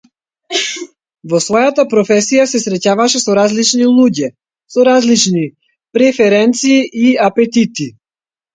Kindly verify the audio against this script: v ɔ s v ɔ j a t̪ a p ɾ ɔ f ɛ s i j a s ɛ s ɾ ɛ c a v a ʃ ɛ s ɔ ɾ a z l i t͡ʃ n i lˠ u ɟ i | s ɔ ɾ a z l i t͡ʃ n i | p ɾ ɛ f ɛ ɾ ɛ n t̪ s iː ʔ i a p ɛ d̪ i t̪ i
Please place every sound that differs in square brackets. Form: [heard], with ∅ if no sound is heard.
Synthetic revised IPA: v ɔ s v ɔ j a t̪ a p ɾ ɔ f ɛ s i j a s ɛ s ɾ ɛ c a v a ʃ ɛ s ɔ ɾ a z l i t͡ʃ n i lˠ u ɟ [ɛ] | s ɔ ɾ a z l i t͡ʃ n i | p ɾ ɛ f ɛ ɾ ɛ n t̪ s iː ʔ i a p ɛ [t̪] i t̪ i